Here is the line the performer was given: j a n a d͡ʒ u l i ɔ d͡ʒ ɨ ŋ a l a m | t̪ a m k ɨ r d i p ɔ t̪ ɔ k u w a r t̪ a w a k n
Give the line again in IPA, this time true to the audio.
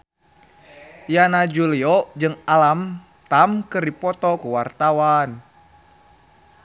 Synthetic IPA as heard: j a n a d͡ʒ u l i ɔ d͡ʒ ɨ ŋ a l a m | t̪ a m k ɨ r d i p ɔ t̪ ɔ k u w a r t̪ a w a n